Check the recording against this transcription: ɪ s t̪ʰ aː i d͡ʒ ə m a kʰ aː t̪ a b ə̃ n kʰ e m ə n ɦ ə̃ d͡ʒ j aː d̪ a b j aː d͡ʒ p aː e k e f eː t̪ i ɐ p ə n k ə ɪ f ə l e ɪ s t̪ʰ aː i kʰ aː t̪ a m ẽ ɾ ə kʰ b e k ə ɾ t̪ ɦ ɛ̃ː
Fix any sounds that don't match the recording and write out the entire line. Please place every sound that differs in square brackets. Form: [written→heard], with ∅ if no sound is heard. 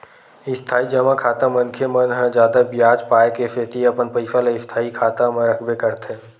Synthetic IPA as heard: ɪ s t̪ʰ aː i d͡ʒ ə m a kʰ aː t̪ a [b→m] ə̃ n kʰ e m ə n ɦ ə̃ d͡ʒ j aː d̪ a b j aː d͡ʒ p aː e k e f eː t̪ i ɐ p ə n [k→p] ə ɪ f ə l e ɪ s t̪ʰ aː i kʰ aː t̪ a m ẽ ɾ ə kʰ b e k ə ɾ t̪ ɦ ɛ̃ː